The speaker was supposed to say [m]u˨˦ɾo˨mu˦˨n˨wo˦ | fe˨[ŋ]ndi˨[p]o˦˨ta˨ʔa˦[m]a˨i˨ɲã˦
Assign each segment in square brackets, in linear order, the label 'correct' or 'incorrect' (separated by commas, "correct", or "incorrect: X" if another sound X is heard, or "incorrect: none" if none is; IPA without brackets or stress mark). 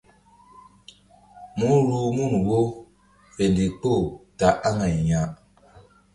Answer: correct, incorrect: none, incorrect: k͡p, incorrect: ŋ